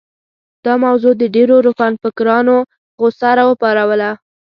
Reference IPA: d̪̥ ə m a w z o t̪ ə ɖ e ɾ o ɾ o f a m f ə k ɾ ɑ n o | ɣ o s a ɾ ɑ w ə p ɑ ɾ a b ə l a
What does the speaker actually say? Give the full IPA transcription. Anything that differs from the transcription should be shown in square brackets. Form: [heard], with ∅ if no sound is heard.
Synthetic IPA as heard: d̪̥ [ɑ] m a w z o [d̪] ə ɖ e ɾ o ɾ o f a [n] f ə k ɾ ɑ n o | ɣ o s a ɾ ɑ w ə p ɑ ɾ a [w] ə l a